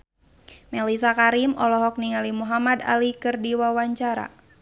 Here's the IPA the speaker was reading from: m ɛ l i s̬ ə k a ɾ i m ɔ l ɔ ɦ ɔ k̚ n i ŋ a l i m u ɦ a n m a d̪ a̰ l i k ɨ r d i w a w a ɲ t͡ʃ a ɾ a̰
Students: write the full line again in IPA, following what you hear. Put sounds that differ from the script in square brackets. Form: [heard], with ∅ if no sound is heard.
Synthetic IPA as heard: m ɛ l i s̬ [a] k a ɾ i m ɔ l ɔ ɦ ɔ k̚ n i ŋ a l i m u ɦ a [∅] m a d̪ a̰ l i k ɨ r d i w a w a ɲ t͡ʃ a ɾ a̰